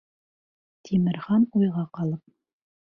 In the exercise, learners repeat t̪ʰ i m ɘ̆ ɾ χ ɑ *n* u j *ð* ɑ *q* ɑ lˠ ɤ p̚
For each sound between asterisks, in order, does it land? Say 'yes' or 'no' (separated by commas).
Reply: yes, no, yes